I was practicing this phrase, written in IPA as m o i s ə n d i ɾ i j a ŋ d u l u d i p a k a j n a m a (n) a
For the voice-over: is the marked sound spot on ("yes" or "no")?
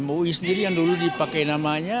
no